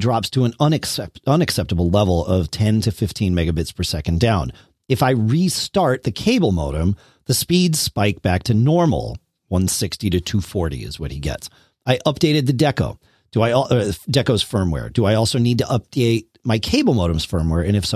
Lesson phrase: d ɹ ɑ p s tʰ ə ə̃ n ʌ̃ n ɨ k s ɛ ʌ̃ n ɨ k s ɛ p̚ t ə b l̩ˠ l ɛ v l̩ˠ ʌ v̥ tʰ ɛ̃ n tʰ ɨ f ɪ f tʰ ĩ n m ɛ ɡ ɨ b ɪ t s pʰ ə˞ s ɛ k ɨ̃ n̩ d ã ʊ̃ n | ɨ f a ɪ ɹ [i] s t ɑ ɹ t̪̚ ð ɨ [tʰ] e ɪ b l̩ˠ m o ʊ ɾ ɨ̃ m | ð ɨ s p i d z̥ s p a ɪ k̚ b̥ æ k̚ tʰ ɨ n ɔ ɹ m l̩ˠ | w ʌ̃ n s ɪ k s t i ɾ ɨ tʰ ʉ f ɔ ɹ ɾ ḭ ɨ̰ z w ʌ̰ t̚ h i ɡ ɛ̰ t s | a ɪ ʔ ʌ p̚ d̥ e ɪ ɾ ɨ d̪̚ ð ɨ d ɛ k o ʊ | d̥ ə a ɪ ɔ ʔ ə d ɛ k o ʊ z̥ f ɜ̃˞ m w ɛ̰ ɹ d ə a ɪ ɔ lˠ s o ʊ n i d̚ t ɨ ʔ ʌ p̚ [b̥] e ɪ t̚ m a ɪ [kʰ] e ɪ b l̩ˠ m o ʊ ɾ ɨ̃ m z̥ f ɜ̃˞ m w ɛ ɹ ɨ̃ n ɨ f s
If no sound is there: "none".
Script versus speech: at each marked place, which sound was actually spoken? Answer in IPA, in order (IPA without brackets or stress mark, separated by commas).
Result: i, kʰ, d̥, kʰ